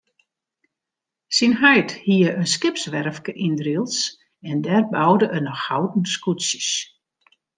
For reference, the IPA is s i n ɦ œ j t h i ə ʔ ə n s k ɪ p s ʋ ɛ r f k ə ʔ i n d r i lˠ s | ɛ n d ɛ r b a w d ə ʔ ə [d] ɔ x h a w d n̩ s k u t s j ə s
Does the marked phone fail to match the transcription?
yes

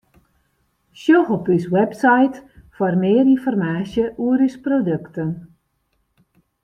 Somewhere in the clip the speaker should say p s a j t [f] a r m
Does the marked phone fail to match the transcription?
no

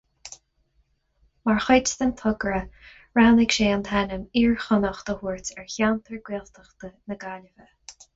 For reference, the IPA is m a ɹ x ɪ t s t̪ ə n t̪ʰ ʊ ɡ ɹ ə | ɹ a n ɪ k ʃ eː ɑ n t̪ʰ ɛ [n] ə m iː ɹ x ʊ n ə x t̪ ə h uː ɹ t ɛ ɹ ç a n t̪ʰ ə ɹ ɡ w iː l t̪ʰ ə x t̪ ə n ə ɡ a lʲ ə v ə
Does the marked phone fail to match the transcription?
no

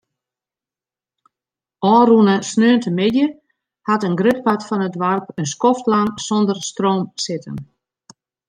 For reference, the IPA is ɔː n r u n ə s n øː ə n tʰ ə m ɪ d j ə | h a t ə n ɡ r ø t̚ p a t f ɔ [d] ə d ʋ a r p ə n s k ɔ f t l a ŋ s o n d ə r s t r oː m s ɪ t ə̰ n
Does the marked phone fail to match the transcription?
yes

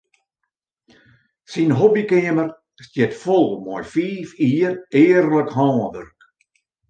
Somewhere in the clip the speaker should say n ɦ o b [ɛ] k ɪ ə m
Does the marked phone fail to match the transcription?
yes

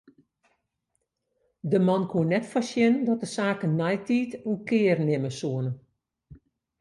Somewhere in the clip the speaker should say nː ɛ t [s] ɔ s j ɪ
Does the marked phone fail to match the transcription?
yes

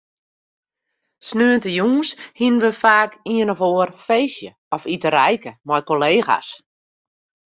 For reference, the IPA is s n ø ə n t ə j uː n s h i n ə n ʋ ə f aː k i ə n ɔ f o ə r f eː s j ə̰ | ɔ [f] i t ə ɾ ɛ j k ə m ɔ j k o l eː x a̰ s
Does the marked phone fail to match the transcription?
no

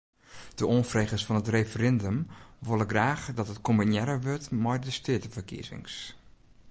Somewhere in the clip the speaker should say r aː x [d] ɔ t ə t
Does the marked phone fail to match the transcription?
no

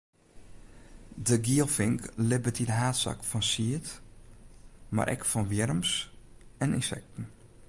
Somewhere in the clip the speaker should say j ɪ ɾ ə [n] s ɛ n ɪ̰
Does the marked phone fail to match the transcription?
yes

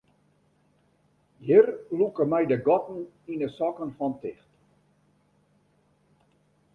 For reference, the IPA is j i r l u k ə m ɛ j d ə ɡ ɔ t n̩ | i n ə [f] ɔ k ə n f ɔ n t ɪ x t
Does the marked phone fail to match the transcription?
yes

